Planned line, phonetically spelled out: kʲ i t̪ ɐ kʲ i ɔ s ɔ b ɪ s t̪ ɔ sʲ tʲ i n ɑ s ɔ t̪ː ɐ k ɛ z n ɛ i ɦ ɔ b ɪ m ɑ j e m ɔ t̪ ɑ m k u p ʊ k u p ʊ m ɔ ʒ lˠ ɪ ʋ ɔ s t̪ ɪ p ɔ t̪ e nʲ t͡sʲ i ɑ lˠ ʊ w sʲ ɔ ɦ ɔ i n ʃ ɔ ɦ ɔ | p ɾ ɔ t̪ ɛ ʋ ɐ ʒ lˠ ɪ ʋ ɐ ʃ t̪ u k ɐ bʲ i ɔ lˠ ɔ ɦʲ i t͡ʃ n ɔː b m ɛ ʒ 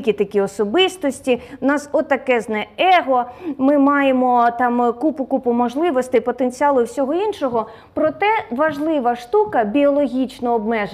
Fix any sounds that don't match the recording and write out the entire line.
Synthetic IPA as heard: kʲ i t̪ ɐ kʲ i ɔ s ɔ b ɪ s t̪ ɔ sʲ tʲ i n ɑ s ɔ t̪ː ɐ k ɛ z n ɛ ɛ ɦ ɔ m ɪ m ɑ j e m ɔ t̪ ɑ m k u p ʊ k u p ʊ m ɔ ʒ lˠ ɪ ʋ ɔ s t̪ ɪ p ɔ t̪ e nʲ t͡sʲ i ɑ lˠ ʊ w sʲ ɔ ɦ ɔ i n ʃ ɔ ɦ ɔ | p ɾ ɔ t̪ ɛ ʋ ɐ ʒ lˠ ɪ ʋ ɐ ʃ t̪ u k ɐ bʲ i ɔ lˠ ɔ ɦʲ i t͡ʃ n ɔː b m ɛ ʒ